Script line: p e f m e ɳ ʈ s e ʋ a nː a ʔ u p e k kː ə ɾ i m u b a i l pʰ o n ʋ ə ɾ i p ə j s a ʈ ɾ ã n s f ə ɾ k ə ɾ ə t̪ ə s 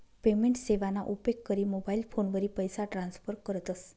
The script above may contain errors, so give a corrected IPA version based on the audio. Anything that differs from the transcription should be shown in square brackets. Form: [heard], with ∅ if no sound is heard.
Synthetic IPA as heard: p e [∅] m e ɳ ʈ s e ʋ a [n] a ʔ u p e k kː ə ɾ i m [o] b a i l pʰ o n ʋ ə ɾ i p ə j s a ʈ ɾ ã n s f ə ɾ k ə ɾ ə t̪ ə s